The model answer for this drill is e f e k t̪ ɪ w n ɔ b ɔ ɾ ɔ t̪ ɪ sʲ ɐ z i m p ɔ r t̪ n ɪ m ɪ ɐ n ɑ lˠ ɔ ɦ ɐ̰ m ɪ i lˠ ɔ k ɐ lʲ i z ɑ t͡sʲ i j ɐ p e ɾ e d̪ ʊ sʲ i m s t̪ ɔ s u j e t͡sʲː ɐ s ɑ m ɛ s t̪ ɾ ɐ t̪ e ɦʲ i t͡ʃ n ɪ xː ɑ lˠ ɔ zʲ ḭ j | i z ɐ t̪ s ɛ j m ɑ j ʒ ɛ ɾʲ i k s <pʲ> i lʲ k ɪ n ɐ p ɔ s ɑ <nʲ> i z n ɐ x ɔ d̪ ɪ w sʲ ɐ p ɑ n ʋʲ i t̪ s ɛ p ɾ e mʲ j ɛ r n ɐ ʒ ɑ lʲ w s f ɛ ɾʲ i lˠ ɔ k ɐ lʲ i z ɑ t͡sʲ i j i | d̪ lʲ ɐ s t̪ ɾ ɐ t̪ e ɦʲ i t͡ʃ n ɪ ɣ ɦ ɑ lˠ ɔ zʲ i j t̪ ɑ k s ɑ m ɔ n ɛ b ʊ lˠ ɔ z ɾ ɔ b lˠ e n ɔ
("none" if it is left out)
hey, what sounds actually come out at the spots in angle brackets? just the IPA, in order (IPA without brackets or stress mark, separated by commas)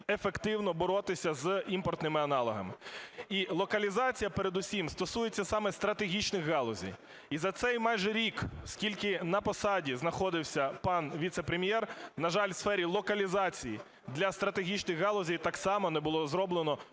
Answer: kʲ, dʲ